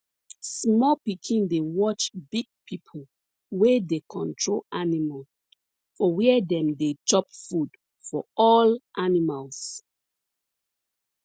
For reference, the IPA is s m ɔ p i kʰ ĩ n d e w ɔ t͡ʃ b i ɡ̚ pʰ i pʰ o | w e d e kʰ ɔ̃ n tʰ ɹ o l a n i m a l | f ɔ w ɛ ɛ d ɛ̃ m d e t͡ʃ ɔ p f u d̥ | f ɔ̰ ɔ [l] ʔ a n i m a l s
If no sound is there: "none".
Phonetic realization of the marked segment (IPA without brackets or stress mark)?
l